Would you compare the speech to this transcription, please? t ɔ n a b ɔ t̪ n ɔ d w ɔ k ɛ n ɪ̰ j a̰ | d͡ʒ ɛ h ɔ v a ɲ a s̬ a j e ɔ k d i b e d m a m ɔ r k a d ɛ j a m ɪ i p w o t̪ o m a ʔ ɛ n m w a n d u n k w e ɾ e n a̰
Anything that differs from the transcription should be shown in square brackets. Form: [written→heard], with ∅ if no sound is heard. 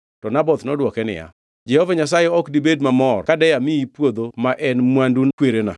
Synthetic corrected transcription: t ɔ n a b ɔ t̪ n ɔ d w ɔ k ɛ n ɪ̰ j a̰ | d͡ʒ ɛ h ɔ v a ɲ a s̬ a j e ɔ k d i b e d m a m ɔ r k a d ɛ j a m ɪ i p w o [t̪→d̪] o m a ʔ ɛ n m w a n d u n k w e ɾ e n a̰